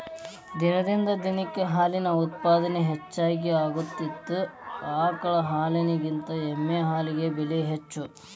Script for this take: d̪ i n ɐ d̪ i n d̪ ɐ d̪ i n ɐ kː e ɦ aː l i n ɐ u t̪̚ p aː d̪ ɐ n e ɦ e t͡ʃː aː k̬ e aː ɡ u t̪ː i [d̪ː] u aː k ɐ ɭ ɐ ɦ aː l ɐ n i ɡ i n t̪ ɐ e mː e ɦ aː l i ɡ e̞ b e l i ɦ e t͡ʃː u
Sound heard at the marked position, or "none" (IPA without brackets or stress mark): t̪ː